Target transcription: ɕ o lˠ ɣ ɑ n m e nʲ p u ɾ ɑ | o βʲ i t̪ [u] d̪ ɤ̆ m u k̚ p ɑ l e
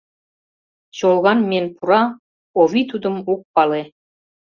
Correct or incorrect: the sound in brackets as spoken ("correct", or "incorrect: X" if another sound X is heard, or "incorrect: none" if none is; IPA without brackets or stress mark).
correct